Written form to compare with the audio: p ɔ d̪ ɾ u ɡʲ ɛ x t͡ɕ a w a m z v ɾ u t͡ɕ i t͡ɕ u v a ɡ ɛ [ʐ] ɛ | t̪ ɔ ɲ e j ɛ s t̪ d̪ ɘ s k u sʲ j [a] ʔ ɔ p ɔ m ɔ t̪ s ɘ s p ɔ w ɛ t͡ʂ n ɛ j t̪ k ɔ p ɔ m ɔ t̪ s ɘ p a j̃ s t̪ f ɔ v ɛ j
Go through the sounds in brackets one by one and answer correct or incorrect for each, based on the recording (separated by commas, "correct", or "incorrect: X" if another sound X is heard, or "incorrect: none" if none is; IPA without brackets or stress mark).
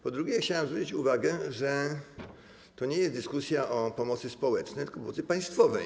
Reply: correct, correct